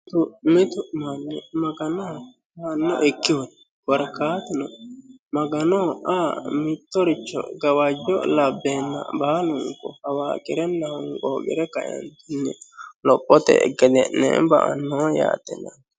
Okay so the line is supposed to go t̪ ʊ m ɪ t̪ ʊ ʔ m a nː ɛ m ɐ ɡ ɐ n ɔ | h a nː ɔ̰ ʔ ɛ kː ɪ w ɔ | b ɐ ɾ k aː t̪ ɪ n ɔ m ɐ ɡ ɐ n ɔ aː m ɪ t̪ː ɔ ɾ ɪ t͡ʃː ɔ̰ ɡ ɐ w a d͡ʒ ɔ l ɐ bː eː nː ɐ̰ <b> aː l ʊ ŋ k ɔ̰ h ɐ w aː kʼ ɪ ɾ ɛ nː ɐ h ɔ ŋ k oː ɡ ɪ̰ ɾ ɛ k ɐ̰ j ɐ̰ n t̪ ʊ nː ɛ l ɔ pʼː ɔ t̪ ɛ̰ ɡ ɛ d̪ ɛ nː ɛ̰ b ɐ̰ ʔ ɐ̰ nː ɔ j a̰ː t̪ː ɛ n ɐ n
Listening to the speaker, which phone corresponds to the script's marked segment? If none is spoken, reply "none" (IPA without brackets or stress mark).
b